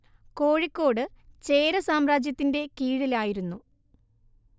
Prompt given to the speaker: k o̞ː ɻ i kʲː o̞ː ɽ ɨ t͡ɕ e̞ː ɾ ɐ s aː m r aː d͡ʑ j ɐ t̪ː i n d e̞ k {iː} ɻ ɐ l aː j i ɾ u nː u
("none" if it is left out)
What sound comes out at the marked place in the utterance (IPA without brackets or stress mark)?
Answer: iː